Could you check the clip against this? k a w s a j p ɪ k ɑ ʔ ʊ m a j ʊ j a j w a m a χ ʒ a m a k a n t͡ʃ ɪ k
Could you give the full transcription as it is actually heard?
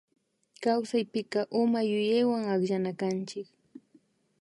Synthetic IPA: k a w s a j p ɪ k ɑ ʔ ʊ m a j ʊ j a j w a ŋ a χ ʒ a n a k a n t͡ʃ ɪ k